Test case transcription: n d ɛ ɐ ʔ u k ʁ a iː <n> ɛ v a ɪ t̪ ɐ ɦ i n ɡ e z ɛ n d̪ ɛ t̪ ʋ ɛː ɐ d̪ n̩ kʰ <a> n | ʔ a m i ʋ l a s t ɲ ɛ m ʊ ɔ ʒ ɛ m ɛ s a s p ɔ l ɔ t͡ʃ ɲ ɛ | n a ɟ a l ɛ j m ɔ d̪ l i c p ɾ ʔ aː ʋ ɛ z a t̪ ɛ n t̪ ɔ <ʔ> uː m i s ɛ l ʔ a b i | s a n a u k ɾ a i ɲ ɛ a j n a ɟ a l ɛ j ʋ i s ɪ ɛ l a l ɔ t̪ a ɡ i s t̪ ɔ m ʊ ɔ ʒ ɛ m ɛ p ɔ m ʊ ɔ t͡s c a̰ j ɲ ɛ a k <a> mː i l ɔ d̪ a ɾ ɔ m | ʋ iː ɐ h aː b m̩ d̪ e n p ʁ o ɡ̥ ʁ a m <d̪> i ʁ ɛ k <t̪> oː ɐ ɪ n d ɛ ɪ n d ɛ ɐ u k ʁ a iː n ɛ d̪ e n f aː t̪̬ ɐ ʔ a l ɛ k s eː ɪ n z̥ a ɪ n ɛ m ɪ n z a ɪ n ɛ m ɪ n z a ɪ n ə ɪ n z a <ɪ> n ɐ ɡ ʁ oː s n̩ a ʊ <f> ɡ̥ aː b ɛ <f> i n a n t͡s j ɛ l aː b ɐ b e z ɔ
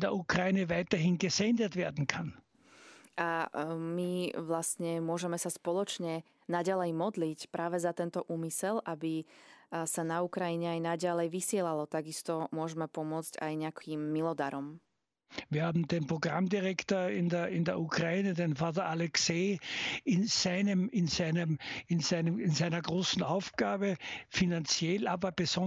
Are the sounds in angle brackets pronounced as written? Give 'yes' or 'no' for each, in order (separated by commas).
yes, yes, yes, no, yes, yes, yes, yes, yes